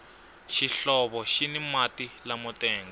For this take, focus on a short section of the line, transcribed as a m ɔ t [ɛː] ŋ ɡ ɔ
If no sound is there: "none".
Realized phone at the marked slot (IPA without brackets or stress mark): ɛː